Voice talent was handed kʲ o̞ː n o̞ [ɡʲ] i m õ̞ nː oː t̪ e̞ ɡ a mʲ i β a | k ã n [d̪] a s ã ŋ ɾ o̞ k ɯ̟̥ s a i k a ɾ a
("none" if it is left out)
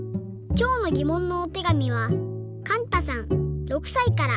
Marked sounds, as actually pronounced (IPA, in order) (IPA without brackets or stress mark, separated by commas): ɡʲ, t̪